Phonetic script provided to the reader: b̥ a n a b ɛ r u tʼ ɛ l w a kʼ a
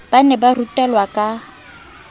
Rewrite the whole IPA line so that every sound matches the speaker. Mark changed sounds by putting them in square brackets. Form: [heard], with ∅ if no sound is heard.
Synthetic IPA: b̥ a n [ɛ] b [a] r u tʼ ɛ l w a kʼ a